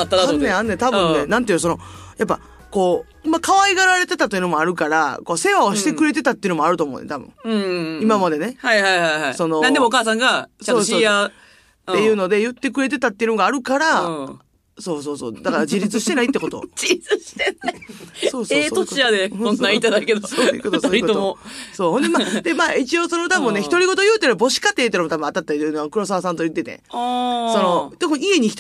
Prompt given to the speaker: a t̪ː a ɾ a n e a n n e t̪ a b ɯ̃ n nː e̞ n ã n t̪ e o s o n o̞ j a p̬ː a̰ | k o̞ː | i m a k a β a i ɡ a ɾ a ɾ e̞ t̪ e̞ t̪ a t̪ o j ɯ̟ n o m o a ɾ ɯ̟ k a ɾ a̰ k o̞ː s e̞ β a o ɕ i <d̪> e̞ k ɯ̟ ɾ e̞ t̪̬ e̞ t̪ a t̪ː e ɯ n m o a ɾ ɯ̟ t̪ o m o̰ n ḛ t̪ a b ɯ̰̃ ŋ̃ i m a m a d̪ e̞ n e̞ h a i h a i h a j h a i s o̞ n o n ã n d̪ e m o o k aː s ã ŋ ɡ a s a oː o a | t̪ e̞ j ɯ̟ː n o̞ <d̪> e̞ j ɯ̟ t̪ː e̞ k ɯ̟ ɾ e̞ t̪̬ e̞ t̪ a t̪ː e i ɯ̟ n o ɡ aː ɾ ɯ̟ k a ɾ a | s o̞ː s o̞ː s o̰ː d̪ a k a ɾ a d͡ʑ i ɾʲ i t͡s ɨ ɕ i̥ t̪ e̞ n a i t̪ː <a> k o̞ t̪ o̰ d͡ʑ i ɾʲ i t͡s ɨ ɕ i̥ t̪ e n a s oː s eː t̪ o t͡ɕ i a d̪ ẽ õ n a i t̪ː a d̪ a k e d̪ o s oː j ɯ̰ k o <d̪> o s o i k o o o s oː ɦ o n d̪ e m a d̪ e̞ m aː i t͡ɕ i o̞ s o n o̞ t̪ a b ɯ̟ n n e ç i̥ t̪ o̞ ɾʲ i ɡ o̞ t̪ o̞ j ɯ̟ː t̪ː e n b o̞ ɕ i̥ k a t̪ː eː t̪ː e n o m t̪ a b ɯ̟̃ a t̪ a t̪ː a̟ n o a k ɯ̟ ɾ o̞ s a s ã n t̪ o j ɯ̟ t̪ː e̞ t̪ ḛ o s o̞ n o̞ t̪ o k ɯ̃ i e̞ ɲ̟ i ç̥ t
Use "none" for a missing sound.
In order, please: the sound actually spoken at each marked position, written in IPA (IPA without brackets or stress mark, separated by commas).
t̪, d̪, e, t̪